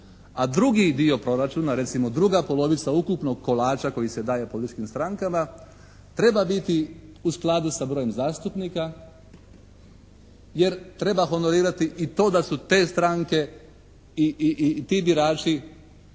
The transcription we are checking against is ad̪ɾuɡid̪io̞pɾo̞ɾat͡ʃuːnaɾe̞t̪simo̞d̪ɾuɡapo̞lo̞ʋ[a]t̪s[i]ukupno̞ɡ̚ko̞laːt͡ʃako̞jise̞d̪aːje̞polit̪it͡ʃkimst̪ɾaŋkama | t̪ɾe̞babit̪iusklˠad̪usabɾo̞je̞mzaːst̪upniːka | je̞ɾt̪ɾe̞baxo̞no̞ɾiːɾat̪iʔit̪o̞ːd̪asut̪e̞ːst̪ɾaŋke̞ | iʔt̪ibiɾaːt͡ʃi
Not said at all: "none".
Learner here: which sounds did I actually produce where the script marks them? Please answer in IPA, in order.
i, a

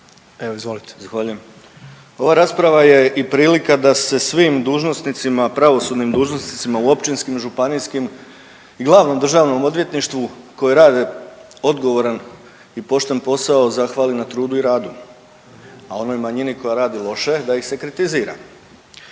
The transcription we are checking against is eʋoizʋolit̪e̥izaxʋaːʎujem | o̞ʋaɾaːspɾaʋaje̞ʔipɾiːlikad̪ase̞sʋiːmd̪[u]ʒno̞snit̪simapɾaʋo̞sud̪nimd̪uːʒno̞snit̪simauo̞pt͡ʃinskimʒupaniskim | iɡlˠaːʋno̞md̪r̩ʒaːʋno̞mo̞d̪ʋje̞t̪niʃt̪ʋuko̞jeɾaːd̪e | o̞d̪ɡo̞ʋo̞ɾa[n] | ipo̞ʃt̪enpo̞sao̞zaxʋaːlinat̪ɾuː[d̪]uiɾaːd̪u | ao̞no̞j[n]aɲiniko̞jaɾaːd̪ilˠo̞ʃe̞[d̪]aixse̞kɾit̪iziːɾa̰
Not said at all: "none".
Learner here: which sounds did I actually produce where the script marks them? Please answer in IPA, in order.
uː, n, d̪, m, d̪

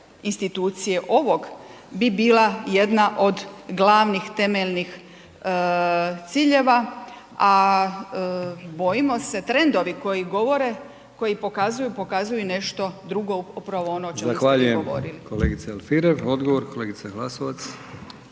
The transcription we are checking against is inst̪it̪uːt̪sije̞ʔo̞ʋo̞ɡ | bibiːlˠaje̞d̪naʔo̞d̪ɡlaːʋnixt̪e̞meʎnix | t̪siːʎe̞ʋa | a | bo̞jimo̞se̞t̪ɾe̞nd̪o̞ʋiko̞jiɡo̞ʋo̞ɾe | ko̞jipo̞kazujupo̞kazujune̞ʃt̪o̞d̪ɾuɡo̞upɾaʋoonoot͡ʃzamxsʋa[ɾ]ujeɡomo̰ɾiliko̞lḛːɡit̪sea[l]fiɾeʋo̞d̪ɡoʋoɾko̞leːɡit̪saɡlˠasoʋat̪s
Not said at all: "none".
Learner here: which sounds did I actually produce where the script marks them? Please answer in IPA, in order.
ʎ, l

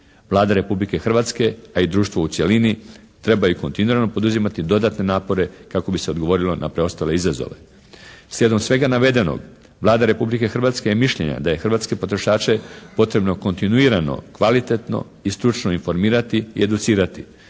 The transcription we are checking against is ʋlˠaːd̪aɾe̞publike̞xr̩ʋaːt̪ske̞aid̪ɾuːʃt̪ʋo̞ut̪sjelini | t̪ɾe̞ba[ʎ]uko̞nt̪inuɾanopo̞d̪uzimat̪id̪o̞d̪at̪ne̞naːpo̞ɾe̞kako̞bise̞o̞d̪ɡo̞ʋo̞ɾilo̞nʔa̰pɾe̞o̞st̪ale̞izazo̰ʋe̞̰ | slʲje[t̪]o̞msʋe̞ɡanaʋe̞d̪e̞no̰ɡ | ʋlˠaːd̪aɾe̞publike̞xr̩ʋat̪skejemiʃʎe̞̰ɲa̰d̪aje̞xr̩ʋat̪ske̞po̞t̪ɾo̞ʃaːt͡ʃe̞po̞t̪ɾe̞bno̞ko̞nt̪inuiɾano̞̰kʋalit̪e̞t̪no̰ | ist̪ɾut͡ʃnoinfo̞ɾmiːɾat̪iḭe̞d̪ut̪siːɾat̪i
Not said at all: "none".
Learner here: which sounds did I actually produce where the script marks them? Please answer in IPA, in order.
j, d̪

